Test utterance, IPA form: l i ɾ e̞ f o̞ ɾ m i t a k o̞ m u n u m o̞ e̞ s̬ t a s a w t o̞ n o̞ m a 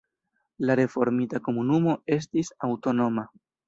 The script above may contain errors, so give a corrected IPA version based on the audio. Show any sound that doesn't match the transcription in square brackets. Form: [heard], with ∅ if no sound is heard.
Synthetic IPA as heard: l [a] ɾ e̞ f o̞ ɾ m i t a k o̞ m u n u m o̞ e̞ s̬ t [i] s a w t o̞ n o̞ m a